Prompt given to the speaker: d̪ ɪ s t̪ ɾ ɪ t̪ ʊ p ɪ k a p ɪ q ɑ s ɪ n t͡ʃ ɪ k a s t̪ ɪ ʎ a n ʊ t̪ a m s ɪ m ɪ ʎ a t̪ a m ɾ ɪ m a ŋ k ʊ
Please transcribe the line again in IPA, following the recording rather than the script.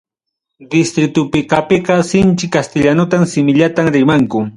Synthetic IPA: d̪ ɪ s t̪ ɾ ɪ t̪ ʊ p ɪ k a p ɪ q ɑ s ɪ n t͡ʃ ɪ k a s t̪ ɪ ʎ a n ʊ t̪ a m s ɪ m ɪ ʎ a t̪ a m ɾ ɪ m a ŋ k ʊ